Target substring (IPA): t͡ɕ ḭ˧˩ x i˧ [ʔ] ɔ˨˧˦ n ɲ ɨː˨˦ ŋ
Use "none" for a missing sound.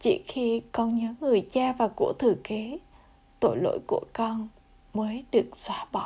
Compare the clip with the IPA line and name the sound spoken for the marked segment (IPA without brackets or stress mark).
k